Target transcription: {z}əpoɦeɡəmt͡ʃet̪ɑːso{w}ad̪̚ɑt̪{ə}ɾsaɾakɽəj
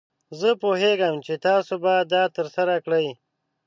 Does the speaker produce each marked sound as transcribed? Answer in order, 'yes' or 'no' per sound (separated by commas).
yes, no, yes